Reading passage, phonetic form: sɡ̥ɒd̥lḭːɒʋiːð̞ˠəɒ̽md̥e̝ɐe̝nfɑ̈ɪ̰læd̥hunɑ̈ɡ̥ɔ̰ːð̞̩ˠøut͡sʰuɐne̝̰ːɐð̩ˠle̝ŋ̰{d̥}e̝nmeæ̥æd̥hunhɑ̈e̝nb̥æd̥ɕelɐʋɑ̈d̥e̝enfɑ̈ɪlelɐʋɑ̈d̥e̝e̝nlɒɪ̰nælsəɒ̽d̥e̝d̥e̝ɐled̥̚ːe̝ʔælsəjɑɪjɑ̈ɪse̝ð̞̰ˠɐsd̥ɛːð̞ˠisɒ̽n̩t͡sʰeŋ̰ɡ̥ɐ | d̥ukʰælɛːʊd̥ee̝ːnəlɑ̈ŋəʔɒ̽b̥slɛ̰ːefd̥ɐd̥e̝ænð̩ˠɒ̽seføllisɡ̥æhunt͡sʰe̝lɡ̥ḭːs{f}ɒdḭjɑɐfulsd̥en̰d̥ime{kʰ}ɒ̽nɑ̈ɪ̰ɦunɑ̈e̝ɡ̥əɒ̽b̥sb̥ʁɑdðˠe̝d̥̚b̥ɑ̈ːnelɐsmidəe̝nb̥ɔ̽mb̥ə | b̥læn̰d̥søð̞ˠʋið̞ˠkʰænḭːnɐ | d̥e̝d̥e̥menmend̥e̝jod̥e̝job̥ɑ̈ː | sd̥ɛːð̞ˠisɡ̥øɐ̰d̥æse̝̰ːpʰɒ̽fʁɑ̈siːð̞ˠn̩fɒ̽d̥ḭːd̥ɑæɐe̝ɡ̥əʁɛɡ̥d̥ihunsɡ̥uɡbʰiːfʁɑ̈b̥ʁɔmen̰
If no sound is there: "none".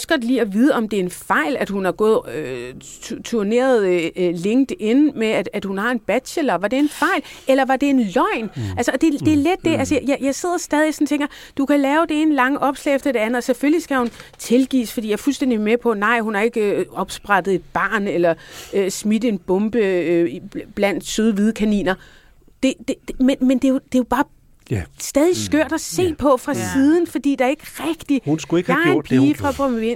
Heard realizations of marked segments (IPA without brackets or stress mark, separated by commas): d̥, f, pʰ